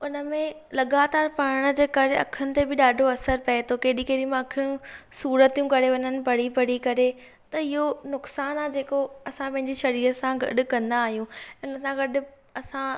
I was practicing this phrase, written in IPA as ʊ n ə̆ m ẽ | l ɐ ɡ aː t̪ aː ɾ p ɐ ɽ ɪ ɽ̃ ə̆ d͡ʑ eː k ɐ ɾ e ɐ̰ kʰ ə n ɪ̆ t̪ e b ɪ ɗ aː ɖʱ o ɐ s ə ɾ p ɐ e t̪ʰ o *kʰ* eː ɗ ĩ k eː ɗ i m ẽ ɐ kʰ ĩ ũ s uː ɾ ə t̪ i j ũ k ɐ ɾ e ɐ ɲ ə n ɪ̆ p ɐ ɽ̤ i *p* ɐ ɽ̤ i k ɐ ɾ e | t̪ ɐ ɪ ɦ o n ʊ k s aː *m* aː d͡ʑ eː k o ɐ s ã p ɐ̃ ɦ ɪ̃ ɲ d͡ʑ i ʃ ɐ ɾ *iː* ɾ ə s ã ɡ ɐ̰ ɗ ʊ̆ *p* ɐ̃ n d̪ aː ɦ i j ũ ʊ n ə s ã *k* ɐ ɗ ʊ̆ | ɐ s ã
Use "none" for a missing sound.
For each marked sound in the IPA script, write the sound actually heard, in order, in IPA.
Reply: k, p, n, iː, k, ɡ

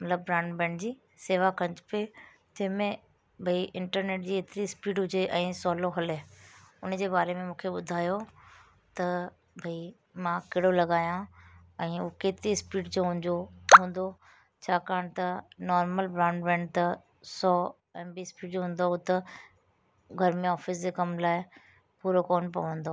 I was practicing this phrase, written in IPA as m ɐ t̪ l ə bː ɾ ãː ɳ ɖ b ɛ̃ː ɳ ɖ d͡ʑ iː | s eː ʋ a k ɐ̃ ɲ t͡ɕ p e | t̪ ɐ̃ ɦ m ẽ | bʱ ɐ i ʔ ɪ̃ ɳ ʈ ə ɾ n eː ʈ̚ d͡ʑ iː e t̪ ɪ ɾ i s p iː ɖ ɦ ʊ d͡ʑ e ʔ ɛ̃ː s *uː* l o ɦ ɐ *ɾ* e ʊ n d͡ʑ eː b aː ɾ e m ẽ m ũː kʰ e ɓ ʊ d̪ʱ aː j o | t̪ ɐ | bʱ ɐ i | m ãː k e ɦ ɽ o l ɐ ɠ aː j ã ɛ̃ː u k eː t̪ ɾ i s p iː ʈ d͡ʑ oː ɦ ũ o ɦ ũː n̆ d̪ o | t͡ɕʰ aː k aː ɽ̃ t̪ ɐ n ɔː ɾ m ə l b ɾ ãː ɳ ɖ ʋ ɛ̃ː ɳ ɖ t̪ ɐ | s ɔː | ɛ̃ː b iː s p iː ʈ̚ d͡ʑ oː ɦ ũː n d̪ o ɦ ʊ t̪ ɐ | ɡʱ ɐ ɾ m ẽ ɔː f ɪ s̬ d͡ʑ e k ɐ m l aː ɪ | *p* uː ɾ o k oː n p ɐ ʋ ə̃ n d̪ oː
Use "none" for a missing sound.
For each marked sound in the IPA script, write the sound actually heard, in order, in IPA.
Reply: ɔː, l, p

